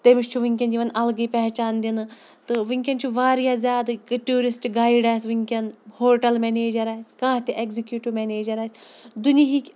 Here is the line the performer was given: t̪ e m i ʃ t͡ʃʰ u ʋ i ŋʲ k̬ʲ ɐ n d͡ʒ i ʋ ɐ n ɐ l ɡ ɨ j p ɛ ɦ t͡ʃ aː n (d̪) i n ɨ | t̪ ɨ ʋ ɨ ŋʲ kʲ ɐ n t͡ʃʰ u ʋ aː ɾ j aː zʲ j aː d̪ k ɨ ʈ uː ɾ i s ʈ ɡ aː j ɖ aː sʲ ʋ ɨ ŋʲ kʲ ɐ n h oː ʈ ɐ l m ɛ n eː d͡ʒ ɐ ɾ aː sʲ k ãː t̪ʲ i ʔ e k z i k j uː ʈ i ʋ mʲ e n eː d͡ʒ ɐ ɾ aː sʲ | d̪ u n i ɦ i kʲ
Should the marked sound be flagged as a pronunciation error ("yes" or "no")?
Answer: no